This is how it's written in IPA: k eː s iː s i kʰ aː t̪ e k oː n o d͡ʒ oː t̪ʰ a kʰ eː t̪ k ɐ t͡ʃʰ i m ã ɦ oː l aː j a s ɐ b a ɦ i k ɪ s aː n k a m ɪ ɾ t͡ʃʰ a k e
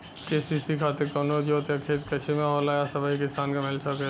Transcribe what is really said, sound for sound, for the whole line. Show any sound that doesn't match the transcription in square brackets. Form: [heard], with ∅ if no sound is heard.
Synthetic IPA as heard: k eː s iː s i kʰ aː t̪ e k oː n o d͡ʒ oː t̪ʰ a kʰ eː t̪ k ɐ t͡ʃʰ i m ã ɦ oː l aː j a s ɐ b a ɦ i k ɪ s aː n k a m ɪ [l] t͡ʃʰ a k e